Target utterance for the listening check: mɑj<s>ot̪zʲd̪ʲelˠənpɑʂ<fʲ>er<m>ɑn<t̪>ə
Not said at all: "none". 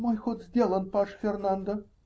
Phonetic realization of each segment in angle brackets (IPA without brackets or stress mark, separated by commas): x, fʲ, n, d̪